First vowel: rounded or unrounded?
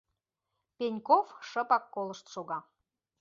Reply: unrounded